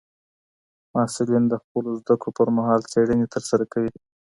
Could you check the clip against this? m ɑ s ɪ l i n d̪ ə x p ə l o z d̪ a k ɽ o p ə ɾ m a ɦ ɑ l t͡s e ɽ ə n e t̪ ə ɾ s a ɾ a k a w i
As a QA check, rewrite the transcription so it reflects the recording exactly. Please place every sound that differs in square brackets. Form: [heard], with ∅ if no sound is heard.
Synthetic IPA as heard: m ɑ s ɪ l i n d̪ ə x p ə l o z d̪ a k ɽ o p ə ɾ m a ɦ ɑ l t͡s e ɽ ə n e t̪ ə ɾ s a ɾ a k a w i